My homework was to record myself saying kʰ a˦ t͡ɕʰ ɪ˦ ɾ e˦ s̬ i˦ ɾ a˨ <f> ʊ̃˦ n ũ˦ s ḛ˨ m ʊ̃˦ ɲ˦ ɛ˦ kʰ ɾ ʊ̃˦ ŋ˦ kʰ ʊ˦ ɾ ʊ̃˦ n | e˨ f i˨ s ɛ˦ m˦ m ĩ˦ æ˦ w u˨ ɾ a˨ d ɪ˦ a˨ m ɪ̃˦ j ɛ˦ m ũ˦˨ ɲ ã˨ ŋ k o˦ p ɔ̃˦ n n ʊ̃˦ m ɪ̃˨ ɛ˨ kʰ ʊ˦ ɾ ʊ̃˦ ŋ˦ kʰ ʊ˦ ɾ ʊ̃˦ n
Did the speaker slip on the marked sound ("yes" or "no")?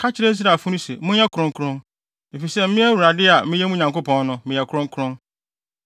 no